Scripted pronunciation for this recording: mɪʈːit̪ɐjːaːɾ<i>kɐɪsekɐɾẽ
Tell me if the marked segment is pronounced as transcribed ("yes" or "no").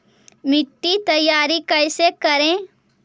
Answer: yes